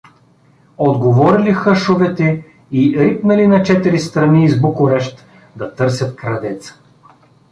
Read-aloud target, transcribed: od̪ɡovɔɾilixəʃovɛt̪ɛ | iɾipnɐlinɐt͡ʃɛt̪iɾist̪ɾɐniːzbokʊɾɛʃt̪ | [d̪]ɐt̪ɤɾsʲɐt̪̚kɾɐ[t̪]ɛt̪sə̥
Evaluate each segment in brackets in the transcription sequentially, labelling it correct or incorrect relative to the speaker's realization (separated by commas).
correct, incorrect